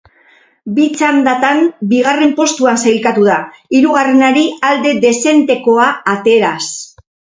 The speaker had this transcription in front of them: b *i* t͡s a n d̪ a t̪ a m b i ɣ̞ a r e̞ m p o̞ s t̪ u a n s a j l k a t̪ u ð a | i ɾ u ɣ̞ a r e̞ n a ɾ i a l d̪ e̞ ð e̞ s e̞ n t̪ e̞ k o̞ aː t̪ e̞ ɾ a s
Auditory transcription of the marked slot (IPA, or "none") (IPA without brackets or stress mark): i